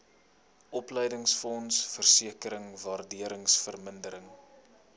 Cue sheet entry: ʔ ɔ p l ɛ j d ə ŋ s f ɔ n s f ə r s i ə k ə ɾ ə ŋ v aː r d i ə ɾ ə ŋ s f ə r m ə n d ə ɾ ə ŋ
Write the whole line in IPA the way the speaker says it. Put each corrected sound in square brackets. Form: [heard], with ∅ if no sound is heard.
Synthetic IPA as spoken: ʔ ɔ p l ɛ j d ə ŋ s f ɔ n s f ə r s i ə k ə ɾ ə ŋ v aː r d i ə ɾ ə ŋ s f ə r m ə n d ə ɾ ə ŋ